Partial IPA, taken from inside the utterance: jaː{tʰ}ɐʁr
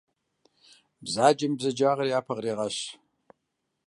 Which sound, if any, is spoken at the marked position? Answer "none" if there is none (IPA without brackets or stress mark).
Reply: pʰ